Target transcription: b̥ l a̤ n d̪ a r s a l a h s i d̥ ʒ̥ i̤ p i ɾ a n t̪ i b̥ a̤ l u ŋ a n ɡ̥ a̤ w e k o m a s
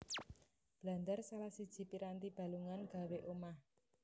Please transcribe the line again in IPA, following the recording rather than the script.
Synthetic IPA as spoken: b̥ l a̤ n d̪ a r s a l a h s i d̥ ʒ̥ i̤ p i ɾ a n t̪ i b̥ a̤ l u ŋ a n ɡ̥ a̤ w e ʔ o m a h